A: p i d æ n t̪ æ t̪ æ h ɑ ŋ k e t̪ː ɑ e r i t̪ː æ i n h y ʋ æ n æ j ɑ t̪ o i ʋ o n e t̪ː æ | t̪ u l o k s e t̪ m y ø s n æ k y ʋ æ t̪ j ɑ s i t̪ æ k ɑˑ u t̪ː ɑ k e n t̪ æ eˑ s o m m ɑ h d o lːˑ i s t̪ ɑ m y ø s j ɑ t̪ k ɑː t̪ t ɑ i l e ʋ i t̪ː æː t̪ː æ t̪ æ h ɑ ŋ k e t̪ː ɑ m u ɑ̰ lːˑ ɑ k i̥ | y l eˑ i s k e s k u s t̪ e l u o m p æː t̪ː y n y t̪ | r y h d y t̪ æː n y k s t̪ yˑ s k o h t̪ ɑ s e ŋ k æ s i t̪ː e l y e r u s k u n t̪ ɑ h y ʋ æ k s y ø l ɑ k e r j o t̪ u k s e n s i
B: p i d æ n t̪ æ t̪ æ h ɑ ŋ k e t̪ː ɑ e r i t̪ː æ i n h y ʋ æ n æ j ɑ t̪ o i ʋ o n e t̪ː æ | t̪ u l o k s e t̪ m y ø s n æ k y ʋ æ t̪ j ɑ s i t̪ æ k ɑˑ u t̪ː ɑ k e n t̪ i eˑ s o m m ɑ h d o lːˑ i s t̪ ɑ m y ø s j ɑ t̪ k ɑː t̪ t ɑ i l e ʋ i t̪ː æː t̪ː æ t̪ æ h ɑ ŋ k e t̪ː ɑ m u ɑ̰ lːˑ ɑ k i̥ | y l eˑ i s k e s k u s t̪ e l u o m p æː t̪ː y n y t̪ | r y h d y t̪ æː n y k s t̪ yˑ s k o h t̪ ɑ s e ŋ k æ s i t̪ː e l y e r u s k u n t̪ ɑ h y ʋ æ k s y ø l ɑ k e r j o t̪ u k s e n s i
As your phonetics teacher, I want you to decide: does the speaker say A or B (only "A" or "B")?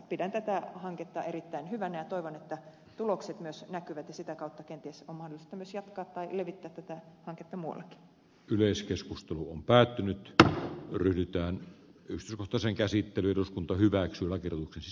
B